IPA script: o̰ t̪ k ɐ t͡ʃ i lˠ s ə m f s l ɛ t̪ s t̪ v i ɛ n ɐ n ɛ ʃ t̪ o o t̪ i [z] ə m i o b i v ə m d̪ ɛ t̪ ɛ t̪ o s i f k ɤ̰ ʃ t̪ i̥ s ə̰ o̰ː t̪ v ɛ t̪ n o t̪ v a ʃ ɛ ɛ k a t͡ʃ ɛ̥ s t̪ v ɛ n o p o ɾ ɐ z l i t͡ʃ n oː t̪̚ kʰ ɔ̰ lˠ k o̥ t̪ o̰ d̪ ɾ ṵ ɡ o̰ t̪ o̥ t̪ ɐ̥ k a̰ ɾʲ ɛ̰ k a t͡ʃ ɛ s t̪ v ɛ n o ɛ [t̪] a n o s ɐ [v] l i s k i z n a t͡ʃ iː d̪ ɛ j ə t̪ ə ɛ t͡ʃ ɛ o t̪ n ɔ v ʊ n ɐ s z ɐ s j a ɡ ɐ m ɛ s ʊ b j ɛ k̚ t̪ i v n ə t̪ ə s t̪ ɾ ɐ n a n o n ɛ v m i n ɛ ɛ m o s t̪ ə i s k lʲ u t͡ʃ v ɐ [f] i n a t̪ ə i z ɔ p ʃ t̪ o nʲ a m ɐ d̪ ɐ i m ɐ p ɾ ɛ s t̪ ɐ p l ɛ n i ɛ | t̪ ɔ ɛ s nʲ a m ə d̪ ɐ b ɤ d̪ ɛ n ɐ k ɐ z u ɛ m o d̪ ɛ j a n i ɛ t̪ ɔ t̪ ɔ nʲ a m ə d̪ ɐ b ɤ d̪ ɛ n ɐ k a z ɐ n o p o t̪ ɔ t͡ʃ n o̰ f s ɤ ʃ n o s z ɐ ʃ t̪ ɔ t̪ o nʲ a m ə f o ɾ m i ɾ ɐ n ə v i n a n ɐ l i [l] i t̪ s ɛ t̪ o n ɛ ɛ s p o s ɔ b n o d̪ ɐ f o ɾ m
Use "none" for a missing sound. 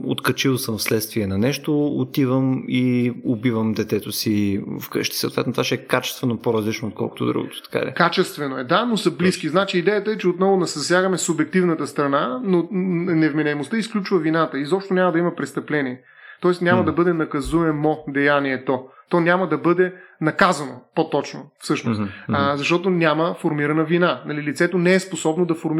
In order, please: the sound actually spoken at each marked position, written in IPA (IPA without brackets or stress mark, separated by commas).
v, d̪, b, v, l